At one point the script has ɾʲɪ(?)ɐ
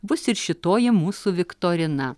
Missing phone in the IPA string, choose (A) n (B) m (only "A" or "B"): A